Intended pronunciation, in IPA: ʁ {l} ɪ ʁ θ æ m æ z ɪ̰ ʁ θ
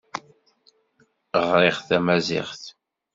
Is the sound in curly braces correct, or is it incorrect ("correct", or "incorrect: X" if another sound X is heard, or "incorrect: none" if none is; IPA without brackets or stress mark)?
incorrect: ɾ